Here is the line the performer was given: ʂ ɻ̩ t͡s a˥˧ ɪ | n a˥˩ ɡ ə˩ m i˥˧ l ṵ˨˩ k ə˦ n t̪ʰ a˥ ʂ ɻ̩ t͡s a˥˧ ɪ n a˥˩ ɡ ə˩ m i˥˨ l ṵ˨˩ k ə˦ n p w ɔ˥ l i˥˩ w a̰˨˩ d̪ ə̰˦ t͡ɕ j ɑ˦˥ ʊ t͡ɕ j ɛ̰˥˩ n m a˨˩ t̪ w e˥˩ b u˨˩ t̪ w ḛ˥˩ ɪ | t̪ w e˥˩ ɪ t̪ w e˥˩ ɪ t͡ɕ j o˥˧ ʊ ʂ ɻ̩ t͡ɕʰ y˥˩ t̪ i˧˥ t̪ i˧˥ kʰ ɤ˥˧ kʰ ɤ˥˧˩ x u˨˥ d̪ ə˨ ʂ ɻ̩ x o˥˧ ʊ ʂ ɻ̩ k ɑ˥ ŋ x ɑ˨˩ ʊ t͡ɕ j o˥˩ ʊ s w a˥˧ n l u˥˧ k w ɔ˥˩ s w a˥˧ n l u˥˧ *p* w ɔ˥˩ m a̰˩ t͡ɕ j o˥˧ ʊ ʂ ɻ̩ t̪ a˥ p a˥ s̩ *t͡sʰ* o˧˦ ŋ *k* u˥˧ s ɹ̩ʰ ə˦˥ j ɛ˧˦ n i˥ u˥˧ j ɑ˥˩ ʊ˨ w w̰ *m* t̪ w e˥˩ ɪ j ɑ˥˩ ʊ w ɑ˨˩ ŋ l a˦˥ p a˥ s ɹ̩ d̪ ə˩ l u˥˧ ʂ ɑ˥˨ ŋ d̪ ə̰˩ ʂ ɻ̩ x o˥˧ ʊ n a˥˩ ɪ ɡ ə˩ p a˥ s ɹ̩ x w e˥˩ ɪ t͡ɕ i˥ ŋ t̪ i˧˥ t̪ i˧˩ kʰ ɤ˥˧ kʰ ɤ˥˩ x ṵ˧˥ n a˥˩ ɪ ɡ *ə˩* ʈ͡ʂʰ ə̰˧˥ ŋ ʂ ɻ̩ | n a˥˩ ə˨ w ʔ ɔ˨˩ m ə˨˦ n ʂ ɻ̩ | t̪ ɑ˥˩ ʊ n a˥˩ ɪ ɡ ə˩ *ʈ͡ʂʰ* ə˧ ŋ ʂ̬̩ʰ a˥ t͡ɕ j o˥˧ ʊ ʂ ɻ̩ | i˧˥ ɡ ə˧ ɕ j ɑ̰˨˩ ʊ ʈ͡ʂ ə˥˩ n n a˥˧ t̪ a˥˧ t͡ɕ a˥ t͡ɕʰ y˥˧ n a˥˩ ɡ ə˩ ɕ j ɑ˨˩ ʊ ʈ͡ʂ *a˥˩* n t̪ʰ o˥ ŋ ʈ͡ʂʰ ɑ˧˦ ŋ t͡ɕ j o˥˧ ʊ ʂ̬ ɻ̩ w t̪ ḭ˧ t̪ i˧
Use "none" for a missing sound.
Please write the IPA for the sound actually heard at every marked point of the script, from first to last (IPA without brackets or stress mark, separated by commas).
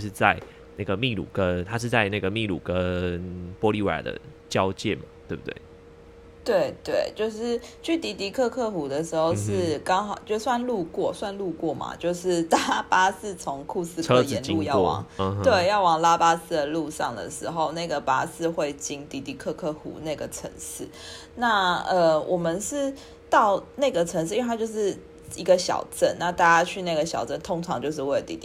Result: k, t͡sʰ, kʰ, ŋ, ə˩, ʈ͡ʂʰ, ə˥˩